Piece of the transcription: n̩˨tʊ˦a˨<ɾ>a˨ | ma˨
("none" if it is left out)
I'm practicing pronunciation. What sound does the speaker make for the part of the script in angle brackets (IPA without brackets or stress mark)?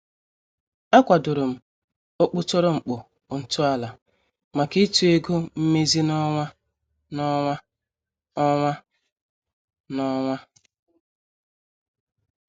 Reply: l